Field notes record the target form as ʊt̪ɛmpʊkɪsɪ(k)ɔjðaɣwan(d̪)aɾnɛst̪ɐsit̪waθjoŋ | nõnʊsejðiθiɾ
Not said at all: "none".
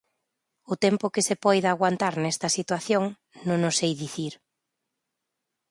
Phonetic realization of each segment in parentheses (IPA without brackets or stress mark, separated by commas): p, t̪